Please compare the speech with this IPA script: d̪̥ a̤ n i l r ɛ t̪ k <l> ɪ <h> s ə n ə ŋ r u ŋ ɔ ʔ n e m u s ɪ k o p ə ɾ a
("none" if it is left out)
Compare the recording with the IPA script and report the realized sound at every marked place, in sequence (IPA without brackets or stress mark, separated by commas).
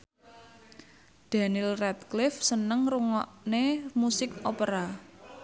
l, f